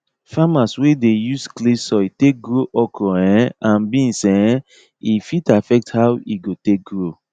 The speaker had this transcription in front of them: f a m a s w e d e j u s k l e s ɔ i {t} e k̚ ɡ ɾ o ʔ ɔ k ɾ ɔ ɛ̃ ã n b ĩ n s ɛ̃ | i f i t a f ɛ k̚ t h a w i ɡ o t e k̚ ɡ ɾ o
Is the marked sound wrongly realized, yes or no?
no